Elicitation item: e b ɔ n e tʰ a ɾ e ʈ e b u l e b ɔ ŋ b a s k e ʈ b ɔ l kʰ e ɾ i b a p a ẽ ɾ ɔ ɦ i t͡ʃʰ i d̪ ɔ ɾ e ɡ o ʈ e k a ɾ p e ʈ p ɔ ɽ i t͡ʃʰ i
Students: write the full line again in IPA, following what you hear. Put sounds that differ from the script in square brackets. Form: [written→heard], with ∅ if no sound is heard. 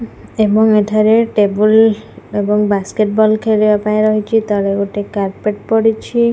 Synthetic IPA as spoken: e b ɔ [n→ŋ] e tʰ a ɾ e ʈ e b u l e b ɔ ŋ b a s k e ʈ b ɔ l kʰ e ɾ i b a p a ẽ ɾ ɔ ɦ i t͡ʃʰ i [d̪→t̪] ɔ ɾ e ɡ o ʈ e k a ɾ p e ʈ p ɔ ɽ i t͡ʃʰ i